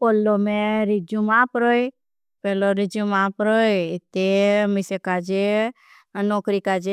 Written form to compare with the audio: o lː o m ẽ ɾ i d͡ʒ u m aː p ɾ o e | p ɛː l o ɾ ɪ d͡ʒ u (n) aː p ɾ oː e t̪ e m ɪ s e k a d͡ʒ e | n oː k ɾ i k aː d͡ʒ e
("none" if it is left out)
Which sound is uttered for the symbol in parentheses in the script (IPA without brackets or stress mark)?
m